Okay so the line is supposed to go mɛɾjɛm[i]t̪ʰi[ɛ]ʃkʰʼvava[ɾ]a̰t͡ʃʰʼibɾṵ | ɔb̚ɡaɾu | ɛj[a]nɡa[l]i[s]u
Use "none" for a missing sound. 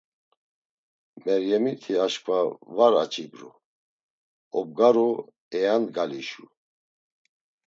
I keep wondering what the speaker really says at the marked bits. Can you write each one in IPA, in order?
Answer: i, a, ɾ, a, l, ʃ

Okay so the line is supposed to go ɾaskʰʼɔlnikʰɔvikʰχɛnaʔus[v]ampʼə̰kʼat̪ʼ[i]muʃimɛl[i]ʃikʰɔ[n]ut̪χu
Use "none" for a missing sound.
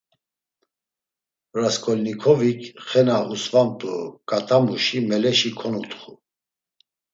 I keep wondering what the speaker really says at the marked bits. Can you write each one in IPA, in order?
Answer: v, a, ɛ, n

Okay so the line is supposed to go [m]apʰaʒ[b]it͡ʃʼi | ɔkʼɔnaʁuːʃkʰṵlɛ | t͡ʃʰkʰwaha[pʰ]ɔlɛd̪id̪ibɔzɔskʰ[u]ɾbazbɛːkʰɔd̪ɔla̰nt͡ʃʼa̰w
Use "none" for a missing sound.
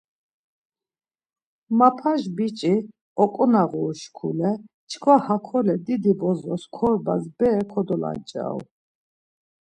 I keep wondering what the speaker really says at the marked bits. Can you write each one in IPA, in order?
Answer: m, b, kʰ, ɔ

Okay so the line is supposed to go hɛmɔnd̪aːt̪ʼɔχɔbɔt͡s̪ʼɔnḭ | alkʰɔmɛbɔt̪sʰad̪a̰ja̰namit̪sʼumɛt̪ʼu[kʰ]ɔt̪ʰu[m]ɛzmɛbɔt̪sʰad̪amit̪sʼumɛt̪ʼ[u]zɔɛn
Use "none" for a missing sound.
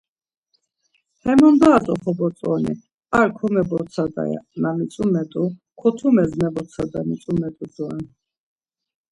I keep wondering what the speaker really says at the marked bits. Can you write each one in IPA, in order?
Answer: kʰ, m, u

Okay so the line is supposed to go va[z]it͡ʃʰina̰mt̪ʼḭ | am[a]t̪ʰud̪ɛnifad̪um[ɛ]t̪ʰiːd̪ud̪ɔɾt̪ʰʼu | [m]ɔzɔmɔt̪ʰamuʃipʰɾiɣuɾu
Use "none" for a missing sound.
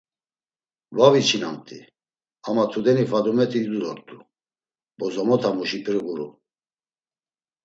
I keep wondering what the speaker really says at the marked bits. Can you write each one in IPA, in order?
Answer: v, a, ɛ, b

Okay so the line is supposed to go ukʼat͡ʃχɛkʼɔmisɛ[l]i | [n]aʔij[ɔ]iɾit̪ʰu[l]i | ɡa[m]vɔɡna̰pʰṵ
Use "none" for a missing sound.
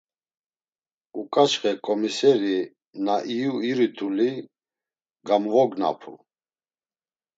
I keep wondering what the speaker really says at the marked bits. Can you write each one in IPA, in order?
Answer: ɾ, n, u, l, m

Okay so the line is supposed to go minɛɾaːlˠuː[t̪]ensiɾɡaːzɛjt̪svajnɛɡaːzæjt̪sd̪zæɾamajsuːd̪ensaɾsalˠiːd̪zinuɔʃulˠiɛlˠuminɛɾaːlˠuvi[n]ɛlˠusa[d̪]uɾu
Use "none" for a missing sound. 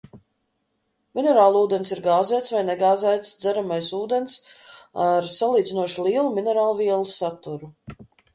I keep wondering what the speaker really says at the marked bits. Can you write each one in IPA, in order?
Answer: d̪, none, t̪

